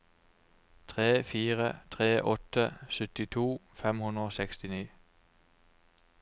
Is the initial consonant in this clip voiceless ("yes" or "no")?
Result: yes